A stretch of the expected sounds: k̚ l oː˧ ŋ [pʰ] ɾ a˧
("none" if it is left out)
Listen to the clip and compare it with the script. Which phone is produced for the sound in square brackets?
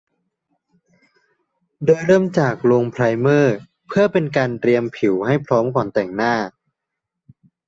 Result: pʰ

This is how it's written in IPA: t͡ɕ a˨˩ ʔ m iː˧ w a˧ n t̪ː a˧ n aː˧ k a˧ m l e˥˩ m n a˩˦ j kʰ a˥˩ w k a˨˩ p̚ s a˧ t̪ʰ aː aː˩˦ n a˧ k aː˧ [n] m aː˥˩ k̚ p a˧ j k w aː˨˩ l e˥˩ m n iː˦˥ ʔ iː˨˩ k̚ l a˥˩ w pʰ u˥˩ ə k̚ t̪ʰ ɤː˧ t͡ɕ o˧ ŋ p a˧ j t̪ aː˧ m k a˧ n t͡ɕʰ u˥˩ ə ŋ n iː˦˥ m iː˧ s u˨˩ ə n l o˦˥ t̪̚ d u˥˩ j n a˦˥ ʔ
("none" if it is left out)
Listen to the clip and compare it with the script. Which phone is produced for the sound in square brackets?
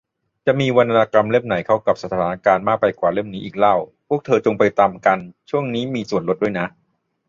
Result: n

